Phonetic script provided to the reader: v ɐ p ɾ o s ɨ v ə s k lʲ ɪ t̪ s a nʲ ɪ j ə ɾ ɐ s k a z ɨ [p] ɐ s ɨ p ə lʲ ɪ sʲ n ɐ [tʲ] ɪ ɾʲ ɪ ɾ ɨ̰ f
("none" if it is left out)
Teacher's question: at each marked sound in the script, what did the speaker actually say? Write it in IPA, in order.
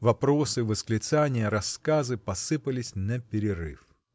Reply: p, pʲ

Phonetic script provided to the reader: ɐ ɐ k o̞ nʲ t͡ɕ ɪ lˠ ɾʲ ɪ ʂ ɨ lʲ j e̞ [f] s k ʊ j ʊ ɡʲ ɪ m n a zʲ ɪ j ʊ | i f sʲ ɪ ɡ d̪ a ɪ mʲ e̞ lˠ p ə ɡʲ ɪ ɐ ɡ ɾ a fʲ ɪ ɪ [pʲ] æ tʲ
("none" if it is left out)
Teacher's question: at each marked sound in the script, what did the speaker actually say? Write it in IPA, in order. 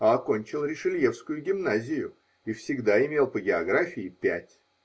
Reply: f, pʲ

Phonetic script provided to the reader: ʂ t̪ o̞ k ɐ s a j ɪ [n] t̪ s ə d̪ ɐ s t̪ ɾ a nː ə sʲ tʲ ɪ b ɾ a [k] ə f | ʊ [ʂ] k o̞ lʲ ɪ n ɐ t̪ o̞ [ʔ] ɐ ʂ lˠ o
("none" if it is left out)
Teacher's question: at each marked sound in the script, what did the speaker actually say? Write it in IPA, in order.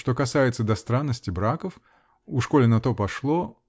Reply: none, k, ʂ, p

